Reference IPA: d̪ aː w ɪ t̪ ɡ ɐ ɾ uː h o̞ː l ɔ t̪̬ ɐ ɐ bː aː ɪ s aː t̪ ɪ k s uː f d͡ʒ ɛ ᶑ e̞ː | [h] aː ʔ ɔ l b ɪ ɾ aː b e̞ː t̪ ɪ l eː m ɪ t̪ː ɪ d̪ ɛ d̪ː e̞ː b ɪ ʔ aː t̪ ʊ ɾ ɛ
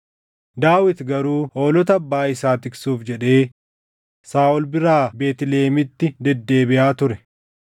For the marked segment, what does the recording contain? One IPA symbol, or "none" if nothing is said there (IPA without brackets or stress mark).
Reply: s